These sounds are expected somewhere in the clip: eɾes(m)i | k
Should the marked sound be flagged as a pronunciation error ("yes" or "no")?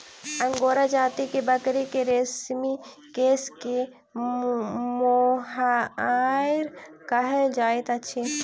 no